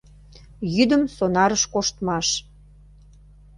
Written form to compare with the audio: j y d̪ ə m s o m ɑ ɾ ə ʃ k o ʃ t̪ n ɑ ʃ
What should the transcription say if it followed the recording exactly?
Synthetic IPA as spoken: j y d̪ ə m s o n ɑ ɾ ə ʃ k o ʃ t̪ m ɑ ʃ